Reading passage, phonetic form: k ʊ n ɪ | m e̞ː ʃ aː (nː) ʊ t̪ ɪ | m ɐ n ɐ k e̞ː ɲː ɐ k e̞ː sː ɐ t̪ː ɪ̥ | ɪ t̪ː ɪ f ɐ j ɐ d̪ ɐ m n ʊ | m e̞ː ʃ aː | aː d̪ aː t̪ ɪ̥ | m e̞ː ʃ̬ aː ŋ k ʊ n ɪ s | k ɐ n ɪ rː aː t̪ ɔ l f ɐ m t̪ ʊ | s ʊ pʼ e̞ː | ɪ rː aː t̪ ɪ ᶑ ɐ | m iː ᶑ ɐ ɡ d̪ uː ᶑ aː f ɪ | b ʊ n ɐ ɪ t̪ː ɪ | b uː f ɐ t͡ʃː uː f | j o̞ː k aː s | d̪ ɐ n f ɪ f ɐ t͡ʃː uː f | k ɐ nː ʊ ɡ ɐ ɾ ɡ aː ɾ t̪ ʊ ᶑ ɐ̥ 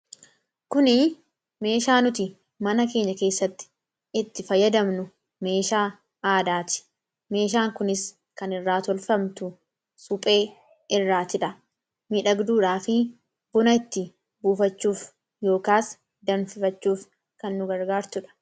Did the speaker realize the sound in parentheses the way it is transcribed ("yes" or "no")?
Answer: no